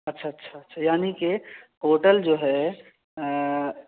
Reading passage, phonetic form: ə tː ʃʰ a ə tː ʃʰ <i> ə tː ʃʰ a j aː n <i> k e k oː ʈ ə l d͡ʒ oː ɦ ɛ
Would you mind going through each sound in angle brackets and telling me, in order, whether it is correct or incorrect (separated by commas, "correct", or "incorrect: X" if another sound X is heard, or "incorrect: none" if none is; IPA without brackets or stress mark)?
incorrect: a, correct